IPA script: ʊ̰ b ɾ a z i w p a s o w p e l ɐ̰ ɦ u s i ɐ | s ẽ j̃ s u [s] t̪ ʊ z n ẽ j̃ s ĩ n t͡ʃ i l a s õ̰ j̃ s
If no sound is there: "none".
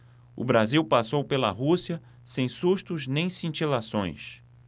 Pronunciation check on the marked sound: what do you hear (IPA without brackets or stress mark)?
ʃ